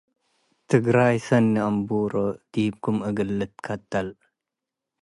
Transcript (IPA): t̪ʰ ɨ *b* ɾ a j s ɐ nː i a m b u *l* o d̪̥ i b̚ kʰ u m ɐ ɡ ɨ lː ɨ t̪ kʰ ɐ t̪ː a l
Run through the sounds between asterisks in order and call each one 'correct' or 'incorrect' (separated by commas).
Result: incorrect, incorrect